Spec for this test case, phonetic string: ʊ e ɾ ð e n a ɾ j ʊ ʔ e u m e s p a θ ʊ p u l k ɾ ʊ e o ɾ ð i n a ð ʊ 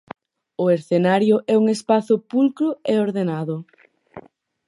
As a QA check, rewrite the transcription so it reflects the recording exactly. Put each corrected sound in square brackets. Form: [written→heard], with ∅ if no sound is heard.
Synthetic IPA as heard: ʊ e ɾ [ð→θ] e n a ɾ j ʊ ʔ [e→ɛ] u [m→ŋ] e s p a θ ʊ p u l k ɾ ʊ e o ɾ ð [i→e] n a ð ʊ